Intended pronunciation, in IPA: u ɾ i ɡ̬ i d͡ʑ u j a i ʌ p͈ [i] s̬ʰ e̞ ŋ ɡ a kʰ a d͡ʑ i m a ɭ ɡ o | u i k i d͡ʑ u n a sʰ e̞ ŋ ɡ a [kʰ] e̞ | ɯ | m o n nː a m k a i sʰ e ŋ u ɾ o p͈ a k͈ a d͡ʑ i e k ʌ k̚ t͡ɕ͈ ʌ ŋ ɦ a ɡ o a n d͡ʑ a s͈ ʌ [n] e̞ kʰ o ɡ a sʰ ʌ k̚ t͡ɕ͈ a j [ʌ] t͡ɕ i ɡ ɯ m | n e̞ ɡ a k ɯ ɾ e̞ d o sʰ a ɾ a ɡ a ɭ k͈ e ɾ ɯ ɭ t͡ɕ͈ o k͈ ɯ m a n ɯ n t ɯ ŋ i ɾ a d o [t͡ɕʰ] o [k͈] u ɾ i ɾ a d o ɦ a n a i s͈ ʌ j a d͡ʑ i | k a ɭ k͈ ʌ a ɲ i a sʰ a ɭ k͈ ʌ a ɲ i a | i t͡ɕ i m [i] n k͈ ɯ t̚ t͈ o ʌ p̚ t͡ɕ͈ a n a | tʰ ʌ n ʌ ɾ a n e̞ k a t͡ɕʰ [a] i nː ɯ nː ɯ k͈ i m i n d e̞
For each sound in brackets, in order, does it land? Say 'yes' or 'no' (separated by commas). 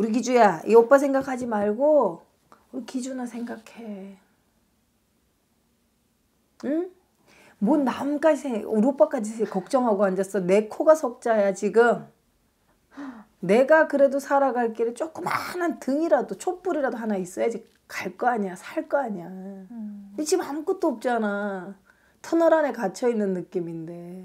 no, yes, yes, no, yes, no, no, no